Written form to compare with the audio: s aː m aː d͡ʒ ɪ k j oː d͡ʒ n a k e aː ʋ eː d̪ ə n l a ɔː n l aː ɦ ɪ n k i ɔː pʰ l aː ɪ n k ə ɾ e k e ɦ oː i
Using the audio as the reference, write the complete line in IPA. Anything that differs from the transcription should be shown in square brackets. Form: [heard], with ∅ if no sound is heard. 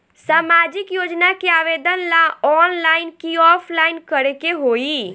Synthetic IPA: s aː m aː d͡ʒ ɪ k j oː d͡ʒ n a k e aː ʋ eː d̪ ə n l a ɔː n l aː [∅] ɪ n k i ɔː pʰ l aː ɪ n k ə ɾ e k e ɦ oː i